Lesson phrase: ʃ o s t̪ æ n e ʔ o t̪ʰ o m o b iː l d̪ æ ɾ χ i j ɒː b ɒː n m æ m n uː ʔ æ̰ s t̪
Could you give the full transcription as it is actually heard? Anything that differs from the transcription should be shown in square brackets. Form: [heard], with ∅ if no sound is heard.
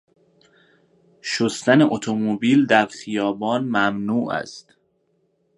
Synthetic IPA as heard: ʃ o s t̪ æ n e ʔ o t̪ʰ o m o b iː l d̪ æ ɾ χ i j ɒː b ɒː n m æ m n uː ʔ æ̰ s t̪